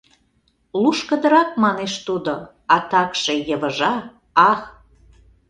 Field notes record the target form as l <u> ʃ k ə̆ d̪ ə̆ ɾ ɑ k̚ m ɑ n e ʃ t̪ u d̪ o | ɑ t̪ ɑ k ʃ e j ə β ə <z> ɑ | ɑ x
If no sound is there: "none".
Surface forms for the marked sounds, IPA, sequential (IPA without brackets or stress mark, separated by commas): u, ʒ